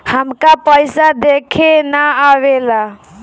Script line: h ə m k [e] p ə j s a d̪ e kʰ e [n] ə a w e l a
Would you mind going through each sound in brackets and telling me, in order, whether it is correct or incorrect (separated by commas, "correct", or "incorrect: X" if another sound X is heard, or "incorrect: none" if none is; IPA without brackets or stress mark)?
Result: incorrect: a, correct